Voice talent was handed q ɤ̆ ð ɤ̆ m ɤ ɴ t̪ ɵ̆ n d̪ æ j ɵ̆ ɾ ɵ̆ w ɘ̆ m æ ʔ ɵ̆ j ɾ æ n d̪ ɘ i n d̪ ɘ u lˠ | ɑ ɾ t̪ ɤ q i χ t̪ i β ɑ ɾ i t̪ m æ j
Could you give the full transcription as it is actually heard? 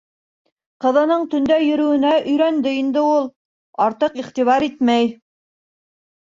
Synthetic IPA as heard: q ɤ̆ ð ɤ̆ n ɤ ɴ t̪ ɵ̆ n d̪ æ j ɵ̆ ɾ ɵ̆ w ɘ̆ n æ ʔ ɵ̆ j ɾ æ n d̪ ɘ i n d̪ ɘ u lˠ | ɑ ɾ t̪ ɤ q i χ t̪ i β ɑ ɾ i t̪ m æ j